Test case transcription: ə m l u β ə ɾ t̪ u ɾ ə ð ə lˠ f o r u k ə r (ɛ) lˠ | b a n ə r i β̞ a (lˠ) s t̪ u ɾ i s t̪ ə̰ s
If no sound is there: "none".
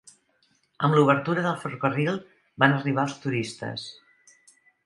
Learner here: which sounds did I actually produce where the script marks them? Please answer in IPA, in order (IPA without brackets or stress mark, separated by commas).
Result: i, lˠ